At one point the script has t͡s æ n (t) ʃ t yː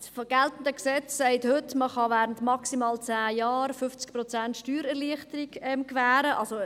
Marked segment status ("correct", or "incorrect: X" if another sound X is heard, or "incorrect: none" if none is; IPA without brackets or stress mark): correct